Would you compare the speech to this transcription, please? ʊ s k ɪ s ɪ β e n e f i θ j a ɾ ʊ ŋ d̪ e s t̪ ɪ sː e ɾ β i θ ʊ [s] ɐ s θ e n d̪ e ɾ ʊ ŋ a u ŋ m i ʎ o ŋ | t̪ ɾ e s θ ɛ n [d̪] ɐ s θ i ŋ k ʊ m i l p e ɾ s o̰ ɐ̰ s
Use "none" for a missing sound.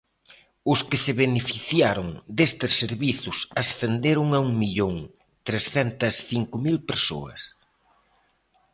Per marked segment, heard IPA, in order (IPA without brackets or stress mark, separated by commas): s, t̪